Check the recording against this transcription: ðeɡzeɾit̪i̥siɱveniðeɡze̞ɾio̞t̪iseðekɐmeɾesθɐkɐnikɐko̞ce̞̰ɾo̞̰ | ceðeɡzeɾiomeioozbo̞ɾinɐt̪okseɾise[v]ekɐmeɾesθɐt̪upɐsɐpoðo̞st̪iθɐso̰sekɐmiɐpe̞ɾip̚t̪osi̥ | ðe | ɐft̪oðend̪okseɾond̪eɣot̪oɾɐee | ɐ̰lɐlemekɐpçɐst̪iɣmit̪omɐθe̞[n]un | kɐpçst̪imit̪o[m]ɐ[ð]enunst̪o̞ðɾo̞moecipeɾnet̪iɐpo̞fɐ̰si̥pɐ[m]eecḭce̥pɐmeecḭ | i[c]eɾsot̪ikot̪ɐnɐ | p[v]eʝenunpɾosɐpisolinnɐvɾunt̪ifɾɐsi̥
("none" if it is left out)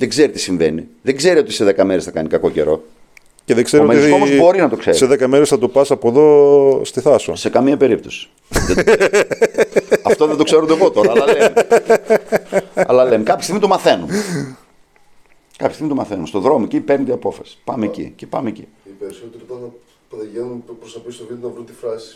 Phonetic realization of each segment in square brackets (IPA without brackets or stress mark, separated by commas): ð, n, m, θ, m, p, ð